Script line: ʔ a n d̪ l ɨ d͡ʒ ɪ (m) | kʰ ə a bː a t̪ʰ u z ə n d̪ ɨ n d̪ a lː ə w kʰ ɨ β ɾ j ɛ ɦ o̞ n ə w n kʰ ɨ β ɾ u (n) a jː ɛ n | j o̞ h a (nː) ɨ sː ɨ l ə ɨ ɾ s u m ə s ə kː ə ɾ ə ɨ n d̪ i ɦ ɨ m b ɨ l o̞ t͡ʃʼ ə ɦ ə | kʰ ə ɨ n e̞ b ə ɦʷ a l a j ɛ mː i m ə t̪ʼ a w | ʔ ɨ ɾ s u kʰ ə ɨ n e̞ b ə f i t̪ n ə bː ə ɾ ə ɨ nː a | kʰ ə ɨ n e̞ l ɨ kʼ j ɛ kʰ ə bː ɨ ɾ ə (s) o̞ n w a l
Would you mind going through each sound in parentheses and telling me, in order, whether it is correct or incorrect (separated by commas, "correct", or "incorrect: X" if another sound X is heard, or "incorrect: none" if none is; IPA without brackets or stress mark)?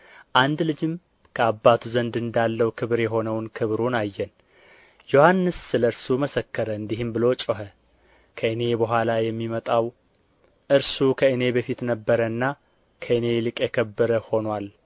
correct, correct, correct, incorrect: h